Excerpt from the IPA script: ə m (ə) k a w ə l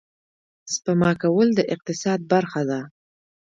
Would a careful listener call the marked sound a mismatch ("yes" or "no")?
yes